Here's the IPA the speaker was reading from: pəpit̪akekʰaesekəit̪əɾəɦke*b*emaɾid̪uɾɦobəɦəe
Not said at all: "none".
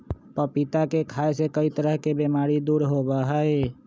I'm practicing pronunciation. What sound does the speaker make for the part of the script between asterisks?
b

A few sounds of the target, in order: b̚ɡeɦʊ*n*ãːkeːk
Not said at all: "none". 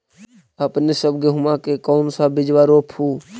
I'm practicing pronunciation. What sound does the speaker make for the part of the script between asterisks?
m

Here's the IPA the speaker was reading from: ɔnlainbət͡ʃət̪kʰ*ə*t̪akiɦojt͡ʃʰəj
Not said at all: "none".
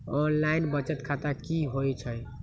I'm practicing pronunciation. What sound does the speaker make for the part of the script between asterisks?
a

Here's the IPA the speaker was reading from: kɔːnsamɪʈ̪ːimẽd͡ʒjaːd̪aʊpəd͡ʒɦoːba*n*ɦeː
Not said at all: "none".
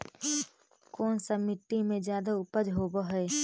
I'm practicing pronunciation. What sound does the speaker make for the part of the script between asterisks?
none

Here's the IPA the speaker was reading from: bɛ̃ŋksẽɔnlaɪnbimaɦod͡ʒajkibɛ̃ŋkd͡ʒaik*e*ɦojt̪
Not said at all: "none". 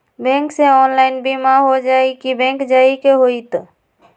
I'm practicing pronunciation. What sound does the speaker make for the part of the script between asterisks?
e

